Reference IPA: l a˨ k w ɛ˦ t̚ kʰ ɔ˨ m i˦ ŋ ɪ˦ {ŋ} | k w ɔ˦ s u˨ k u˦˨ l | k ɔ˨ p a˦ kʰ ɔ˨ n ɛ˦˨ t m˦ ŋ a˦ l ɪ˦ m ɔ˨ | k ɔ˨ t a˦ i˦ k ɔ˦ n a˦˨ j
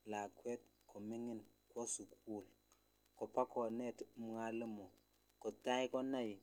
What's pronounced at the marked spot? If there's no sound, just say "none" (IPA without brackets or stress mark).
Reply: n